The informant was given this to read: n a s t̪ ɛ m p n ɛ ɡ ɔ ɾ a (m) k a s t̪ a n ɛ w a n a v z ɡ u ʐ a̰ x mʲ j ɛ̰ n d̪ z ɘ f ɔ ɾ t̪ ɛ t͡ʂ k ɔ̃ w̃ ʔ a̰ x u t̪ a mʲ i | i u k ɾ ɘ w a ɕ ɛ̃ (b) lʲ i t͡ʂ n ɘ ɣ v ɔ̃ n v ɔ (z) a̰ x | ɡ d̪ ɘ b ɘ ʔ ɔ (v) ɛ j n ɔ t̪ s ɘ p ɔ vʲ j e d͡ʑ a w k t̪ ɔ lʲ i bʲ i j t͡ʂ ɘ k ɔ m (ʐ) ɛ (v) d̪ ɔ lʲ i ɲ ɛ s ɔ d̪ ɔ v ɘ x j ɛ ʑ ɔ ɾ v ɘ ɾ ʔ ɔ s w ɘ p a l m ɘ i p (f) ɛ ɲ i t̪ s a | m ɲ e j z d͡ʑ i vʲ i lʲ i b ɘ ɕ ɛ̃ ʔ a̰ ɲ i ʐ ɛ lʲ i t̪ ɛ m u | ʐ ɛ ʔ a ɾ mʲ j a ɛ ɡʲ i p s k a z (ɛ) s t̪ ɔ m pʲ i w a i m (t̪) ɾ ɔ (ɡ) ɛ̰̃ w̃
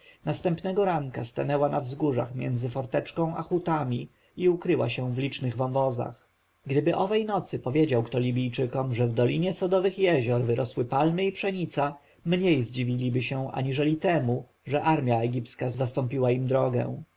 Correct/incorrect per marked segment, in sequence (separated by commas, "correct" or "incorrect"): incorrect, incorrect, correct, correct, correct, correct, incorrect, incorrect, incorrect, correct